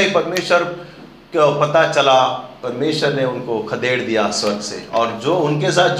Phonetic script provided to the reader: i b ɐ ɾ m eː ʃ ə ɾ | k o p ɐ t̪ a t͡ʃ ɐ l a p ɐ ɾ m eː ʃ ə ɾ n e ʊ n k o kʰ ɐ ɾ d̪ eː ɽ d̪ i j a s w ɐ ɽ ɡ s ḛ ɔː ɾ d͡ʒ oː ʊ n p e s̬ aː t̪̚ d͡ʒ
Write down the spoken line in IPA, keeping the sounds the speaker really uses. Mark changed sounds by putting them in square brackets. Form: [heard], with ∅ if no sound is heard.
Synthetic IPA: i [p] ɐ ɾ m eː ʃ ə ɾ | k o p ɐ t̪ a t͡ʃ ɐ l a p ɐ ɾ m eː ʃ ə ɾ n e ʊ n k o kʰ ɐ [∅] d̪ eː ɽ d̪ i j a s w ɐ [ɾ] ɡ s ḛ ɔː ɾ d͡ʒ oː ʊ n [k] e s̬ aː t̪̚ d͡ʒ